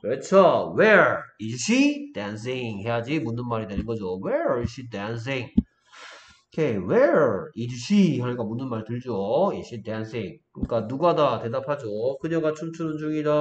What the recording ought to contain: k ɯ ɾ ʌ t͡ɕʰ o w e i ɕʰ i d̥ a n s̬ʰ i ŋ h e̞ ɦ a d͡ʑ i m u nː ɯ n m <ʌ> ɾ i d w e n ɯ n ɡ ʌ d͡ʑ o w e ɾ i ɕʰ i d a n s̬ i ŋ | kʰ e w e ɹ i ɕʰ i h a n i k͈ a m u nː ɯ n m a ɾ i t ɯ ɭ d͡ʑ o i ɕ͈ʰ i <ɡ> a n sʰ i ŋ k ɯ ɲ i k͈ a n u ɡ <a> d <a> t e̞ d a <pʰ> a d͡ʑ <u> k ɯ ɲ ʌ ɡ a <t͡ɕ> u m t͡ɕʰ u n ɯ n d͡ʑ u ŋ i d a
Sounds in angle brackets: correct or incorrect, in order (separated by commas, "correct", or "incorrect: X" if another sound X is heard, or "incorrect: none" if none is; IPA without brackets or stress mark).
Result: incorrect: a, incorrect: d, correct, correct, correct, incorrect: o, incorrect: t͡ɕʰ